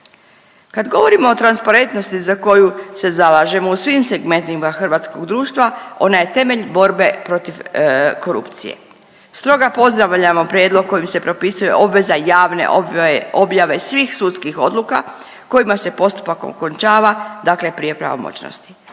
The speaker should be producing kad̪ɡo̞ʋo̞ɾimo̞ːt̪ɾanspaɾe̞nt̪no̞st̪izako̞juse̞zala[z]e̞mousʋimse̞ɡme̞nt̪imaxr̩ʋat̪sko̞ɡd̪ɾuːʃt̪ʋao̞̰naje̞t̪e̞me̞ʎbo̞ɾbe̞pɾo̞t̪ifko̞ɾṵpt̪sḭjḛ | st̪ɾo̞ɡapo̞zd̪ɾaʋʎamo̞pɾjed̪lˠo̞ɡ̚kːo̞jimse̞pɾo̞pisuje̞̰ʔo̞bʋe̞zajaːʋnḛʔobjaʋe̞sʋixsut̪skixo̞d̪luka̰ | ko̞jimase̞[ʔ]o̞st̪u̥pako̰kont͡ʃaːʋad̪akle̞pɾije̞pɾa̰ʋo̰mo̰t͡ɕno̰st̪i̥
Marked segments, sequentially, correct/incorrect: incorrect: ʒ, incorrect: p

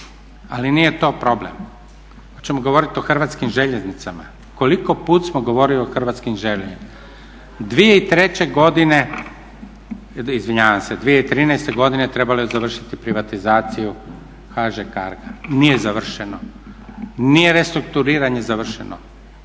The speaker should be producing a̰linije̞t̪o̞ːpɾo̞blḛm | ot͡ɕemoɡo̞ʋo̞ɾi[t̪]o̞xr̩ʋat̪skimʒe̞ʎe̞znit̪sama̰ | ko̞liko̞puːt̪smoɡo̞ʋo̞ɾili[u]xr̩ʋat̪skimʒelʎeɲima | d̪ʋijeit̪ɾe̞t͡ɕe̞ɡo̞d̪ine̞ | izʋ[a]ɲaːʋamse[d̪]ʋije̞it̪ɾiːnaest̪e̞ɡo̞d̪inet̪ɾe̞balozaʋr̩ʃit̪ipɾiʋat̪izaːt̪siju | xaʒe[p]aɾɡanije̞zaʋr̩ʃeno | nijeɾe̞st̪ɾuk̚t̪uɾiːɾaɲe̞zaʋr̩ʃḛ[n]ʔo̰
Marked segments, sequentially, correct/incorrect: correct, incorrect: o, incorrect: i, correct, incorrect: k, correct

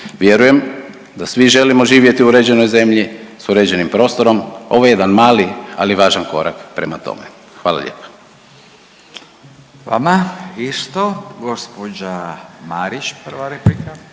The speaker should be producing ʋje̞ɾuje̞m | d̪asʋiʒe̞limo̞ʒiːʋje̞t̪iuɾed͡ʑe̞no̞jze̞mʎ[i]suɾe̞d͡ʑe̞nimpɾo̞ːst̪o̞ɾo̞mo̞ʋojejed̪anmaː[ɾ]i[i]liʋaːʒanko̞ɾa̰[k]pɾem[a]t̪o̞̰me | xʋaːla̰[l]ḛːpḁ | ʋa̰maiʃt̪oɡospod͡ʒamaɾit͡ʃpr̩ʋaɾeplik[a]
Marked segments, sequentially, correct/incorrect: correct, incorrect: l, incorrect: a, correct, correct, incorrect: ʎ, correct

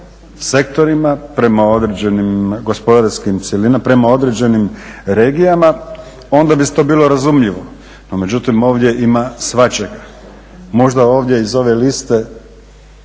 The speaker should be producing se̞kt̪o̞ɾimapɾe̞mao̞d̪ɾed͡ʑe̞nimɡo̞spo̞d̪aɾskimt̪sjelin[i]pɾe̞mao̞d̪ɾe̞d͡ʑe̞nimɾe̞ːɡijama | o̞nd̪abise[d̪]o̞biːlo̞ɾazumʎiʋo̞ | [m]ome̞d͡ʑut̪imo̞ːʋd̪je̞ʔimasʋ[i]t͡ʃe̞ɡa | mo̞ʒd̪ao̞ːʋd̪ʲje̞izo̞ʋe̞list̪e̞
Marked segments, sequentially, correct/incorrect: incorrect: a, incorrect: t̪, incorrect: n, incorrect: a

